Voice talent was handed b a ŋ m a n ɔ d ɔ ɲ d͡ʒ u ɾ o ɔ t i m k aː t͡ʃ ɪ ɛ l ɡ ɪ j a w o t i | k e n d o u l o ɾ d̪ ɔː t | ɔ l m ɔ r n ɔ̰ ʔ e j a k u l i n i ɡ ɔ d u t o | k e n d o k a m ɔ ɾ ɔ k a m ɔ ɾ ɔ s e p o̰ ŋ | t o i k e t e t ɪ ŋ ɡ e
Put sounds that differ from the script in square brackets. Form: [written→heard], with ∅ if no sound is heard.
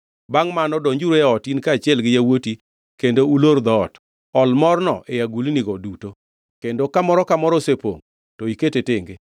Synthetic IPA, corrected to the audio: b a ŋ m a n ɔ d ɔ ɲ d͡ʒ u ɾ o ɔ t i [m→n] k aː t͡ʃ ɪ ɛ l ɡ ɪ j a w o t i | k e n d o u l o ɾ d̪ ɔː t | ɔ l m ɔ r n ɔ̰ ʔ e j a [k→ɡ] u l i n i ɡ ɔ d u t o | k e n d o k a m ɔ ɾ ɔ k a m ɔ ɾ ɔ s e p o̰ ŋ | t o i k e t e t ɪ ŋ ɡ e